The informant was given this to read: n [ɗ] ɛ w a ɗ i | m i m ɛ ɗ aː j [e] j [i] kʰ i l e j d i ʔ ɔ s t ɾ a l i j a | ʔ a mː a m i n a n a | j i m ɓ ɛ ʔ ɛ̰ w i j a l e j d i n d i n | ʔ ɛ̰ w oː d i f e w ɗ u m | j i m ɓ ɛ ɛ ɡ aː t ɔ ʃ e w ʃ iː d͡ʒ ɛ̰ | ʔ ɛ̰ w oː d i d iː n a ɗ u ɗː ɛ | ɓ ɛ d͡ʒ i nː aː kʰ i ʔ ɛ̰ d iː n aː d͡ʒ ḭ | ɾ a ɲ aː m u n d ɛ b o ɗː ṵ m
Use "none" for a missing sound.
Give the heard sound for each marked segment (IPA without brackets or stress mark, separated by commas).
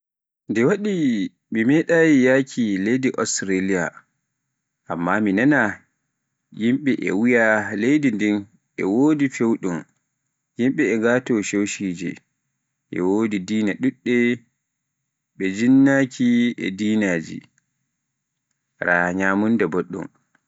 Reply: d, i, a